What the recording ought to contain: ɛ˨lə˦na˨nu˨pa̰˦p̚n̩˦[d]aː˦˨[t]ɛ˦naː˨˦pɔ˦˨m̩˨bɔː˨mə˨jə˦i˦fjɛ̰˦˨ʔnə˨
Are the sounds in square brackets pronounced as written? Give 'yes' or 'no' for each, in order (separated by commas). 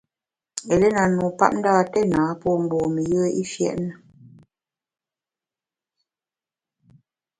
yes, yes